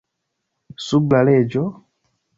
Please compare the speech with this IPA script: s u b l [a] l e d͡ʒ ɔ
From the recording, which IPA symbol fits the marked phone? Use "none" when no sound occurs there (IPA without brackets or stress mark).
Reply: a